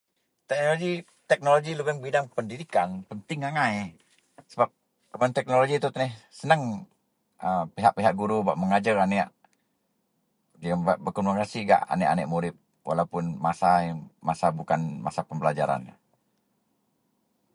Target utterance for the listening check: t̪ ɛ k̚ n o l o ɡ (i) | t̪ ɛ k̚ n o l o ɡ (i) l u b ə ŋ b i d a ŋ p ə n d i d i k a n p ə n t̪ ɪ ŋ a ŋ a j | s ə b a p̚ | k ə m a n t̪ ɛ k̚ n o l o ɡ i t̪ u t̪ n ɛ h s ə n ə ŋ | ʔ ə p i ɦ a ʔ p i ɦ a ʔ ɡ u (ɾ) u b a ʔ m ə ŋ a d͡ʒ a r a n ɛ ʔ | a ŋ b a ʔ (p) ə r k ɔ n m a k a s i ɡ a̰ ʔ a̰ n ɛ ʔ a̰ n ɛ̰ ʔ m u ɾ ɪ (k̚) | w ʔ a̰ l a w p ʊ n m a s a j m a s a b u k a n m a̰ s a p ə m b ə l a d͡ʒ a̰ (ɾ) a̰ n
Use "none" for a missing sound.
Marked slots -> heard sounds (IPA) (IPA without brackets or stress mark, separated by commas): i, i, ɾ, b, p̚, ɾ